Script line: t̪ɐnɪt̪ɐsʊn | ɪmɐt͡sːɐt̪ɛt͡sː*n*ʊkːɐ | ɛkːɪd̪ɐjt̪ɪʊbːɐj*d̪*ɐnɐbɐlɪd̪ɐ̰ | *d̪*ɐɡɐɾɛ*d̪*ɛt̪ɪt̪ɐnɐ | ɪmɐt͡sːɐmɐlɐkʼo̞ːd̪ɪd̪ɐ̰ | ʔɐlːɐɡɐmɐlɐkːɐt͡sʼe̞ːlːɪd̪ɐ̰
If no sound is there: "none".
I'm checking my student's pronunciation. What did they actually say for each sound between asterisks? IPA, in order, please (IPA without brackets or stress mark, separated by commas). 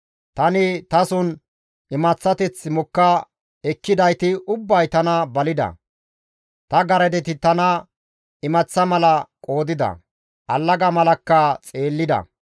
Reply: m, t̪, t̪, d̪